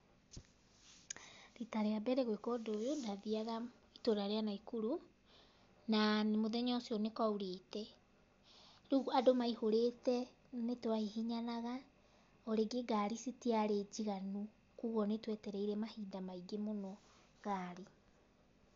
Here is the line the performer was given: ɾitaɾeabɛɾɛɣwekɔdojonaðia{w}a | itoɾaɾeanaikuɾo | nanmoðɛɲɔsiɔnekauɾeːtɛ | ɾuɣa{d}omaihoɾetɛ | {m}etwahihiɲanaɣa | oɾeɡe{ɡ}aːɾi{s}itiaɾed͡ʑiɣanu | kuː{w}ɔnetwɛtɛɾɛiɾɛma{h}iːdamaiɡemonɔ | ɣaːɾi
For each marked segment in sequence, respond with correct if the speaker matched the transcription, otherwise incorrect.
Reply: incorrect, correct, incorrect, correct, correct, incorrect, correct

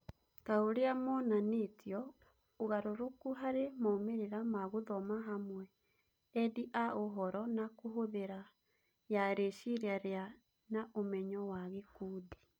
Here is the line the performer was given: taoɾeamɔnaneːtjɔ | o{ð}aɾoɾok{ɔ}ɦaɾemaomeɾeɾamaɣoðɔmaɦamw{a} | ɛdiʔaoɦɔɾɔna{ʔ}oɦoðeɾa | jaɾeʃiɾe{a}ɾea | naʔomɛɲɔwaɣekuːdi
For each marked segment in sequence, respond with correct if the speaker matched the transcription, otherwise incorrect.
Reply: incorrect, incorrect, incorrect, incorrect, correct

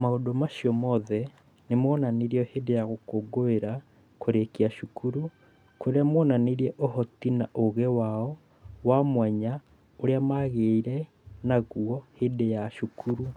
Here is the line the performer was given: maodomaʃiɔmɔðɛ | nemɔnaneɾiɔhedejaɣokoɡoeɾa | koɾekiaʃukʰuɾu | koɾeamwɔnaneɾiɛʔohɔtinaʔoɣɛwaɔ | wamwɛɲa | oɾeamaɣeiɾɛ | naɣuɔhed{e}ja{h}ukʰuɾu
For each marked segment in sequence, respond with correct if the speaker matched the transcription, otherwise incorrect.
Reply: correct, incorrect

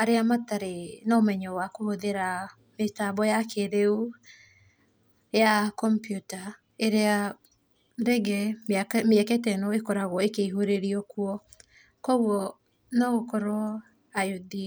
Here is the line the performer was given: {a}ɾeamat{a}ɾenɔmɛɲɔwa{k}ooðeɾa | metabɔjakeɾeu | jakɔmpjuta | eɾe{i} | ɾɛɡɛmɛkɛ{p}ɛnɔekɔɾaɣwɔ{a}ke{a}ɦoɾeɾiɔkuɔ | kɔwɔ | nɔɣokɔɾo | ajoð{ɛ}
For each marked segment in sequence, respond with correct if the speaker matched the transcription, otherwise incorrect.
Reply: correct, correct, correct, incorrect, incorrect, incorrect, incorrect, incorrect

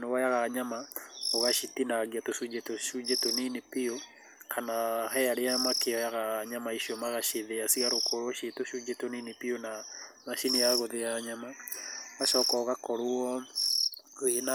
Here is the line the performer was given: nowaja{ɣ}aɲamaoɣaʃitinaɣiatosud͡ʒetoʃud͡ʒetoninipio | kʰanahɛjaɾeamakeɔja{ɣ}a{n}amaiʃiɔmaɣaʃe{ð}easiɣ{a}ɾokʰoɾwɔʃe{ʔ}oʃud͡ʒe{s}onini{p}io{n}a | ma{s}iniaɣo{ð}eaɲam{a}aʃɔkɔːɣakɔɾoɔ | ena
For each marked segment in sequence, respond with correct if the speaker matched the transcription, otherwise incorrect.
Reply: correct, correct, incorrect, correct, correct, incorrect, incorrect, correct, correct, incorrect, correct, correct

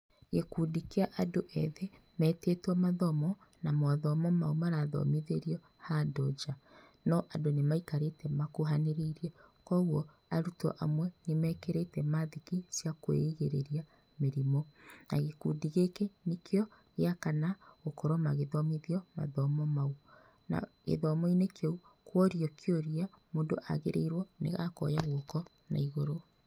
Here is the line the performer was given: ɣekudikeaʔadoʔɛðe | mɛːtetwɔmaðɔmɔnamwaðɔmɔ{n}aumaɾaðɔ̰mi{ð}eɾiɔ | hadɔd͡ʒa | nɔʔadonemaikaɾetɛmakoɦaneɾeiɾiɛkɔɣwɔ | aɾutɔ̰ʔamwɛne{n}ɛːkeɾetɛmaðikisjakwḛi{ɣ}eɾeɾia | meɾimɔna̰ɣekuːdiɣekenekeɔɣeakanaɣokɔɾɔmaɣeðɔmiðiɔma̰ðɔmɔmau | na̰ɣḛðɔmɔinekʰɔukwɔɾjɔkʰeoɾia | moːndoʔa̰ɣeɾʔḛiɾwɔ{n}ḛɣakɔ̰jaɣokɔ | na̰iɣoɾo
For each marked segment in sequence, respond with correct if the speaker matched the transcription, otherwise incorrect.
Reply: incorrect, correct, incorrect, correct, correct

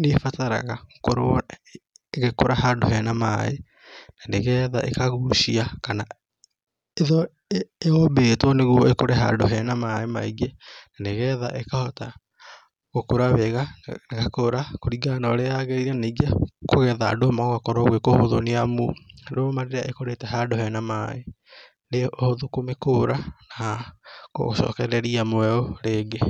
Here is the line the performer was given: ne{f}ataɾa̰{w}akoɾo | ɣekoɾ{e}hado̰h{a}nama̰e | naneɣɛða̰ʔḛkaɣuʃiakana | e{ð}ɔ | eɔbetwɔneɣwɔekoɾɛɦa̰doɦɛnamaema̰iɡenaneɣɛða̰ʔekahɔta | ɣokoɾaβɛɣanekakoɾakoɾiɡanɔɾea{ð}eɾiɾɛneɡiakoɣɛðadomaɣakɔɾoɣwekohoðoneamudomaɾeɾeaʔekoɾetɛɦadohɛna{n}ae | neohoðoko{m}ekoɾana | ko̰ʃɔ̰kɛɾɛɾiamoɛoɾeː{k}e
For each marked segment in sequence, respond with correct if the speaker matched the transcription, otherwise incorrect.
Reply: correct, incorrect, incorrect, incorrect, correct, incorrect, incorrect, correct, incorrect

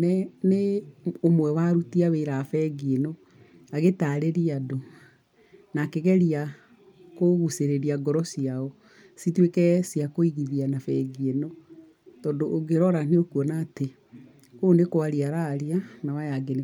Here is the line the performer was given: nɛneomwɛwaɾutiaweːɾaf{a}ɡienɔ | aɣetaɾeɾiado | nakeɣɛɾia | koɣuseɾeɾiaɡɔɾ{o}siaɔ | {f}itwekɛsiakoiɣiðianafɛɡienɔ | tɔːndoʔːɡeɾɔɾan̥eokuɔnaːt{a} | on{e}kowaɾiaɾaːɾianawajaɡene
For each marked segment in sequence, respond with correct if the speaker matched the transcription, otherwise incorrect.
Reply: incorrect, incorrect, incorrect, incorrect, correct

